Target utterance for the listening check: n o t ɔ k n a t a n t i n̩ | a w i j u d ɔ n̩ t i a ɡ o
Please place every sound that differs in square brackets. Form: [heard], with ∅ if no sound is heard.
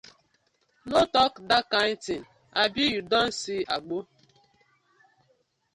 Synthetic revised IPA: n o t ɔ k [d] a [k] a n t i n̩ | a [b] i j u d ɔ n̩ [s] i a [ɡ͡b] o